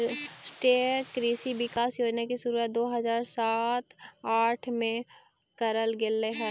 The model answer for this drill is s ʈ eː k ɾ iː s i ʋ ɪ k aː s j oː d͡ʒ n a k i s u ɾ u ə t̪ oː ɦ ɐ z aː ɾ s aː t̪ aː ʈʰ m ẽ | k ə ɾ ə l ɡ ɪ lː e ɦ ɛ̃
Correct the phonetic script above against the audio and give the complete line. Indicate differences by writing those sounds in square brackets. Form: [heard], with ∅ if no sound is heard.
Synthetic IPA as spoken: s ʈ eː k ɾ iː s i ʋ ɪ k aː s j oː d͡ʒ n a k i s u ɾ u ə [d̪] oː ɦ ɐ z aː ɾ s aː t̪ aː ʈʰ m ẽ | k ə ɾ ə l ɡ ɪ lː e ɦ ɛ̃